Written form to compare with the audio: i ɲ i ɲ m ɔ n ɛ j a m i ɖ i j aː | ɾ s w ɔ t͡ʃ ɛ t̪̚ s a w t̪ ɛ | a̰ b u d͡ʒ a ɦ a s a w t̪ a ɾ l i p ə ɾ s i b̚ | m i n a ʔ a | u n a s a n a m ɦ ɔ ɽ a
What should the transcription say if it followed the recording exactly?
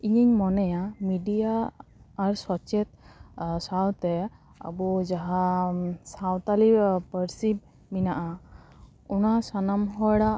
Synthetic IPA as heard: i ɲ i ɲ m ɔ n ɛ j a m i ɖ i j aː | ɾ s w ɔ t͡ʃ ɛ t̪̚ s a w t̪ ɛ | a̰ b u d͡ʒ a ɦ a s a w t̪ a l i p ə ɾ s i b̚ | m i n a ʔ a | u n a s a n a m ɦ ɔ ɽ a

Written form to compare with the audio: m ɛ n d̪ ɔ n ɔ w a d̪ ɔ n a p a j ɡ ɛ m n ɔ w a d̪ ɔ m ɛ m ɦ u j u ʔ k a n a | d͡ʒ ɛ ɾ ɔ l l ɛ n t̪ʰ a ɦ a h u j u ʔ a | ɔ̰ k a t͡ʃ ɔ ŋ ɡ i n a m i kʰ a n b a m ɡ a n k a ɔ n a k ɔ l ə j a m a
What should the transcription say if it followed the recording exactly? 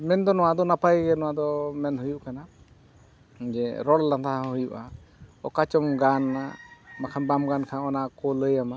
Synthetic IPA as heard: m ɛ n d̪ ɔ n ɔ w a d̪ ɔ n a p a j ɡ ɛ n ɔ w a d̪ ɔ m ɛ n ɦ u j u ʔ k a n a | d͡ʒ ɛ ɾ ɔ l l a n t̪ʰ a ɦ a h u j u ʔ a | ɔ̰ k a t͡ʃ ɔ m ɡ a n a m a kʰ a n b a m ɡ a n kʰ a ɔ n a k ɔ l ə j a m a

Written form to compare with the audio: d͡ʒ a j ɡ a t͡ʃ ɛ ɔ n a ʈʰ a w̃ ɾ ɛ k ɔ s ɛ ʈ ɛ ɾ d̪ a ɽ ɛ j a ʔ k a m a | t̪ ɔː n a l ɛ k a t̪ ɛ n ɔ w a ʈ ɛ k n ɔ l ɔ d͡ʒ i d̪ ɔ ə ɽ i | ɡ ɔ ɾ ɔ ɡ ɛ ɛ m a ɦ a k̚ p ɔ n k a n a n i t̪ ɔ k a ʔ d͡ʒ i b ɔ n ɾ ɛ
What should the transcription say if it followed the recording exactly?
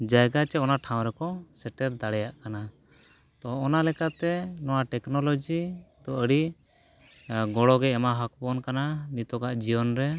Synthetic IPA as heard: d͡ʒ a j ɡ a t͡ʃ ɛ ɔ n a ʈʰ a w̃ ɾ ɛ k ɔ s ɛ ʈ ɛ ɾ d̪ a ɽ ɛ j a ʔ k a n a | t̪ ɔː n a l ɛ k a t̪ ɛ n ɔ w a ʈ ɛ k n ɔ l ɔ d͡ʒ i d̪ ɔ ə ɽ i | ɡ ɔ ɽ ɔ ɡ ɛ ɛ m a ɦ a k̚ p ɔ n k a n a n i t̪ ɔ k a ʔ d͡ʒ i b ɔ n ɾ ɛ

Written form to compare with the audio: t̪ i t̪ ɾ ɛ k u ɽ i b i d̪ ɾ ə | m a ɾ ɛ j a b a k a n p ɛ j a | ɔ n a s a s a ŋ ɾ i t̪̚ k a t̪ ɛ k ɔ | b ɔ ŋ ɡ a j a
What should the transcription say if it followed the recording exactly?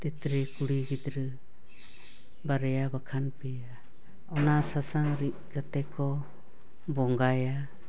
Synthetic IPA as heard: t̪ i t̪ ɾ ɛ k u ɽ i ɡ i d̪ ɾ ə | b a ɾ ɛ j a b a kʰ a n p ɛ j a | ɔ n a s a s a ŋ ɾ i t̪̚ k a t̪ ɛ k ɔ | b ɔ ŋ ɡ a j a

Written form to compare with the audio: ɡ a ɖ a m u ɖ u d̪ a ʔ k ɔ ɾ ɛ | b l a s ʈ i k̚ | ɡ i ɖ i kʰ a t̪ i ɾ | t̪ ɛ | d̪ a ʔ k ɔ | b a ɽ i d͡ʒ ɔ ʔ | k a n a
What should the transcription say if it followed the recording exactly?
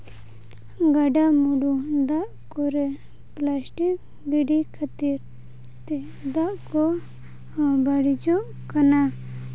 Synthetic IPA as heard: ɡ a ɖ a m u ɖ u d̪ a ʔ k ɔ ɾ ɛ | p l a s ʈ i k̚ | ɡ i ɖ i kʰ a t̪ i ɾ | t̪ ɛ | d̪ a ʔ k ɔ | b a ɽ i d͡ʒ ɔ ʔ | k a n a

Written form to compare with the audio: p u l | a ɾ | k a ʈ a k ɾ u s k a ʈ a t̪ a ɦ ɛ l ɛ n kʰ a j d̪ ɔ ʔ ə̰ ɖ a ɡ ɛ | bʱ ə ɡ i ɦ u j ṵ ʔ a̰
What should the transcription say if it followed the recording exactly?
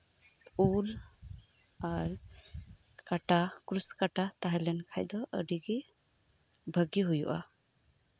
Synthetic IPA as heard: p u l | a ɾ | k a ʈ a k ɾ u s k a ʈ a t̪ a ɦ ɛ l ɛ n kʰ a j d̪ ɔ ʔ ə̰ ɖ i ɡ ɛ | bʱ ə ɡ i ɦ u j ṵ ʔ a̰

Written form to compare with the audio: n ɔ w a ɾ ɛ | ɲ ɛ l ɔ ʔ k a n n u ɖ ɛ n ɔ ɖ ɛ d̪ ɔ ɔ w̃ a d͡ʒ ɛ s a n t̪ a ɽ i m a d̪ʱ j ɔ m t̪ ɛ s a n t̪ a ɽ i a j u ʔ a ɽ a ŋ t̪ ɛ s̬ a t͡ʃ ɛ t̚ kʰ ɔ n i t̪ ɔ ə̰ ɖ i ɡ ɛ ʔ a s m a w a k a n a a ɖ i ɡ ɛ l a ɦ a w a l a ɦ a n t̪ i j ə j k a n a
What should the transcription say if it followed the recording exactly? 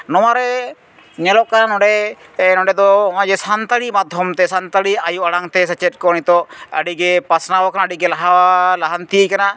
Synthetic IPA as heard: n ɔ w a ɾ ɛ | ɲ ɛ l ɔ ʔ k a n n ɔ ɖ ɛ n ɔ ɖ ɛ d̪ ɔ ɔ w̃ a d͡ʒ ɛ s a n t̪ a ɽ i m a d̪ʱ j ɔ m t̪ ɛ s a n t̪ a ɽ i a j u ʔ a ɽ a ŋ t̪ ɛ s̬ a t͡ʃ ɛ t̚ k ɔ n i t̪ ɔ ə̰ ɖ i ɡ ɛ p a s n a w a k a n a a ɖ i ɡ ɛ l a ɦ a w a l a ɦ a n t̪ i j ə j k a n a

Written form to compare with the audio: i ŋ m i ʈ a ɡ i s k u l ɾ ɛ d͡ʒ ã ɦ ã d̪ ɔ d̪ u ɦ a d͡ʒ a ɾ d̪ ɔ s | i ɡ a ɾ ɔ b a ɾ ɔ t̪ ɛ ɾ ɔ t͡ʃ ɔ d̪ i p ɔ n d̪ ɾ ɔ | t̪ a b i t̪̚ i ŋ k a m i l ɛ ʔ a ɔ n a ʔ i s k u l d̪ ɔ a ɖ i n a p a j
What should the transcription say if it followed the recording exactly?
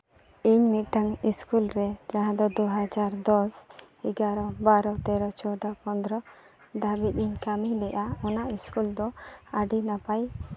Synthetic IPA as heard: i ɲ m i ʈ a ŋ i s k u l ɾ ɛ d͡ʒ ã ɦ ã d̪ ɔ d̪ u ɦ a d͡ʒ a ɾ d̪ ɔ s | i ɡ a ɾ ɔ b a ɾ ɔ t̪ ɛ ɾ ɔ t͡ʃ ɔ d̪ a p ɔ n d̪ ɾ ɔ | d̪ a b i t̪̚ i ɲ k a m i l ɛ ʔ a ɔ n a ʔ i s k u l d̪ ɔ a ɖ i n a p a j

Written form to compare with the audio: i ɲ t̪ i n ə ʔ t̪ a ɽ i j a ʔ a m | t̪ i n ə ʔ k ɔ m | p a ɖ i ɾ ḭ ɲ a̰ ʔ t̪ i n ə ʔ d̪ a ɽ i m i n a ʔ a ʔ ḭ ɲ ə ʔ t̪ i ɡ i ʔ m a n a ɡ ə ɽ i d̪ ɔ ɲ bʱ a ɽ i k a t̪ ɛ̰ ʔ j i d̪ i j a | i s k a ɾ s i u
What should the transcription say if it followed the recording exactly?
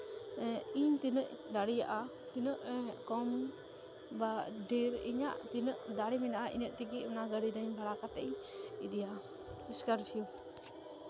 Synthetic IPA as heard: i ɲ t̪ i n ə ʔ d̪ a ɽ i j a ʔ a | t̪ i n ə ʔ k ɔ m | b a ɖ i ɾ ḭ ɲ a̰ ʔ t̪ i n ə ʔ d̪ a ɽ i m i n a ʔ a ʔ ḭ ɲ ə ʔ t̪ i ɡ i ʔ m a n a ɡ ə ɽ i d̪ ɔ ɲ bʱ a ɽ a k a t̪ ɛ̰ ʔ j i d̪ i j a | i s k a ɾ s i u

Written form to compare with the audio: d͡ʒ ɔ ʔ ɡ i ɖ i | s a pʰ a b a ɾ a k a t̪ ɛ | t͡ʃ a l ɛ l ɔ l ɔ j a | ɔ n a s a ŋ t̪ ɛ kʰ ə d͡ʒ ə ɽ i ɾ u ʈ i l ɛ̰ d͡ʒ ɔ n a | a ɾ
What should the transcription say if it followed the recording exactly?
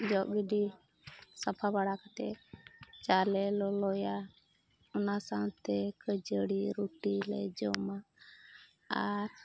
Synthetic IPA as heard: d͡ʒ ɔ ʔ ɡ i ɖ i | s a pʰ a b a ɽ a k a t̪ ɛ | t͡ʃ a l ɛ l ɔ l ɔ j a | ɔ n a s a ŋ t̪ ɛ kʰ ə d͡ʒ ə ɽ i ɾ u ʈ i l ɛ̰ d͡ʒ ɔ m a | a ɾ

